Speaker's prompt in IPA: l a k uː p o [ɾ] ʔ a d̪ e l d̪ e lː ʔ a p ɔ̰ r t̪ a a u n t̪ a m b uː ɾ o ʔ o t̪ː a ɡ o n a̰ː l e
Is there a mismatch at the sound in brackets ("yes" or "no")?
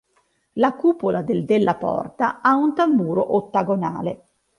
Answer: yes